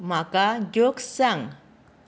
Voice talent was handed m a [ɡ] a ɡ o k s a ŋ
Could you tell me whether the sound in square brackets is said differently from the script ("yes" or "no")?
yes